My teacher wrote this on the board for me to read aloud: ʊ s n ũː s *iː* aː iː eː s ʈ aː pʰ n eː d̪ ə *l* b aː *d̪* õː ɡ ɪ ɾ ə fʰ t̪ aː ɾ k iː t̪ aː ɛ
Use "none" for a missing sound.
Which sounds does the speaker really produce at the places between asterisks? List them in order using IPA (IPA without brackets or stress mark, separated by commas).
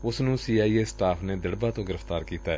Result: iː, ɽ, t̪